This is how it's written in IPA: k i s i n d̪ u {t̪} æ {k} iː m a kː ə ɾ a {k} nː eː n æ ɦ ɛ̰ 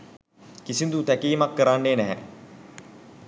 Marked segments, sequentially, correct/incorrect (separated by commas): correct, correct, incorrect